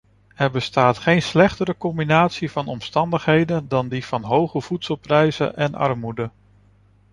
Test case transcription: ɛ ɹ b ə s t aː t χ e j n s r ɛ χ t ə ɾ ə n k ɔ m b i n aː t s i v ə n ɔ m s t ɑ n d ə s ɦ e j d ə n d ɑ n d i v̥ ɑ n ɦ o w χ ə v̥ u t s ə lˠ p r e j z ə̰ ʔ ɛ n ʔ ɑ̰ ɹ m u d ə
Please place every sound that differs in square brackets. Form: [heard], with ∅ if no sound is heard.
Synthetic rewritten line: ɛ ɹ b ə s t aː t χ e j n s [l] ɛ χ t ə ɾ ə [∅] k ɔ m b i n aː t s i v [ɑ] n ɔ m s t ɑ n d ə [χ] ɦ e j d ə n d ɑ n d i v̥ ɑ n ɦ o w χ ə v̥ u t s ə lˠ p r [ɛ] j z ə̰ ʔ ɛ n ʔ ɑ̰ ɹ m u d ə